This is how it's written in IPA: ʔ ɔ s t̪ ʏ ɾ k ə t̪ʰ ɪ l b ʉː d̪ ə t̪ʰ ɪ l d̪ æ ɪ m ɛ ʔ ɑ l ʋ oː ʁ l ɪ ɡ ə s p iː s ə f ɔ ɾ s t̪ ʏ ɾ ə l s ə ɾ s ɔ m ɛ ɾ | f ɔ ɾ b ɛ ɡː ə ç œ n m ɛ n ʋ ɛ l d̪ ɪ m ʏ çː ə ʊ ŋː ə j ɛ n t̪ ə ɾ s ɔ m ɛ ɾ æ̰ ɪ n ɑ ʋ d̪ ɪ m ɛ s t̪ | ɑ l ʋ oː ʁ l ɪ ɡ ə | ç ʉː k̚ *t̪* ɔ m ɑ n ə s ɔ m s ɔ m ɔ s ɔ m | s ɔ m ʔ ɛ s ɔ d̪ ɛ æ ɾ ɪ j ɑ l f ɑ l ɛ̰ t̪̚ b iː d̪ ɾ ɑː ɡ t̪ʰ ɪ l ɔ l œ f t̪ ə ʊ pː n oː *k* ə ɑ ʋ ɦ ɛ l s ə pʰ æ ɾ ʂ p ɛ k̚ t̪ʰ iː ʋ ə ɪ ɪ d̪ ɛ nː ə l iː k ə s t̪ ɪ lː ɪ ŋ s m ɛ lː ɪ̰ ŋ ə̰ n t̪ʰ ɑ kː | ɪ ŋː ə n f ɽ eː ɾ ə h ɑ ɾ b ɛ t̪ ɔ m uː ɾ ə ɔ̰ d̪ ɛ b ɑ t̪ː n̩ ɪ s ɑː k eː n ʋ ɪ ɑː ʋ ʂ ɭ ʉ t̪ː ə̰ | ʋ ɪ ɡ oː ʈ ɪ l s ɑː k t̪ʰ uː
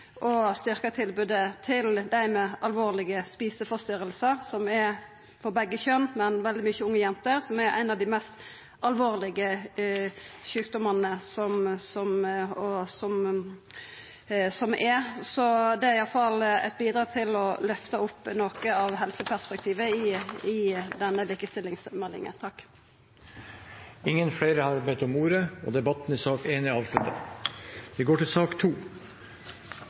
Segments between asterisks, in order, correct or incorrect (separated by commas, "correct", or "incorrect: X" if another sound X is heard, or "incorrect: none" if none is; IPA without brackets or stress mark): incorrect: d̪, correct